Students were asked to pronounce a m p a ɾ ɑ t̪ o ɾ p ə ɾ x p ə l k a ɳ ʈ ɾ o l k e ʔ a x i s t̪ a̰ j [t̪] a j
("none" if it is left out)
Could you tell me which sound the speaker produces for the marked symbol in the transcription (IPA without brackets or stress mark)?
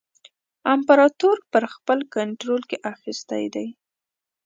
d̪